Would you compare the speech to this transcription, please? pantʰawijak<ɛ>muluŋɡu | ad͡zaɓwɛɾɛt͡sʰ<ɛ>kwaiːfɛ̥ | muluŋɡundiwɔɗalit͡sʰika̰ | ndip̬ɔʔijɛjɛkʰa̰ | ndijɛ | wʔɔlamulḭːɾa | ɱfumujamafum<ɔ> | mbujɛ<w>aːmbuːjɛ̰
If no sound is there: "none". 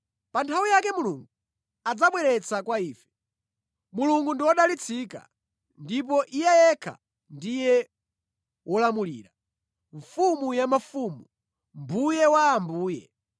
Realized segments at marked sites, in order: ɛ, a, u, w

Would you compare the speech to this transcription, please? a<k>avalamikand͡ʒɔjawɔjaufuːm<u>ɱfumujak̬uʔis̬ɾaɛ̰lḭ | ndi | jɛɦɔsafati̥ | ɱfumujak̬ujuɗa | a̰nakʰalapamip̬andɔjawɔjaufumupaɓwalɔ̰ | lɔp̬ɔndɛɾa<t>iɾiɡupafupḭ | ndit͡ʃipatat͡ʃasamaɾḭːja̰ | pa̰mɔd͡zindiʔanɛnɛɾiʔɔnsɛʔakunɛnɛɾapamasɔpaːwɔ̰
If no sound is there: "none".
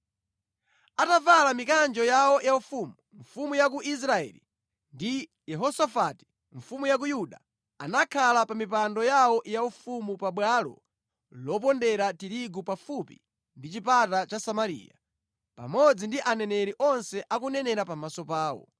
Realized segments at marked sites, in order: t, u, t

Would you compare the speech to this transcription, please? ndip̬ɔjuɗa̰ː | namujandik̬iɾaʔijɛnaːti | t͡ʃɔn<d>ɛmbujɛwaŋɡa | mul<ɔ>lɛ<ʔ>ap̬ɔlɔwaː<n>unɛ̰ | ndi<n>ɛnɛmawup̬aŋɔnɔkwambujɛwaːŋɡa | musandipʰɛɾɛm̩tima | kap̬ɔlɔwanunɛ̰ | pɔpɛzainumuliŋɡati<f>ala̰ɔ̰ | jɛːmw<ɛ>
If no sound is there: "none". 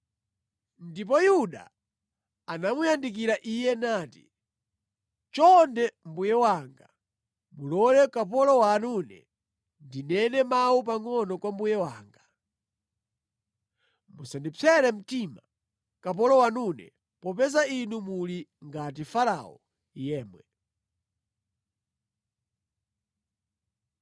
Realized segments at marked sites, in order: d, ɔ, k, n, n, f, ɛ

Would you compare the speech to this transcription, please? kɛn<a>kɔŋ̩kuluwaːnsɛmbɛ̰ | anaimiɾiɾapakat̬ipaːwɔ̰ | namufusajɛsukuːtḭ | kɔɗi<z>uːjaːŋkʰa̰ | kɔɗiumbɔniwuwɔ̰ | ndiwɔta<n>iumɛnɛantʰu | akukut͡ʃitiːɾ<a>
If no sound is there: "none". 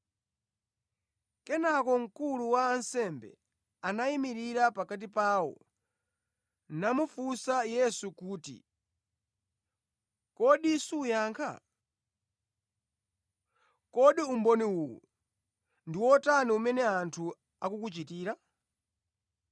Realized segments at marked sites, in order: a, s, n, a

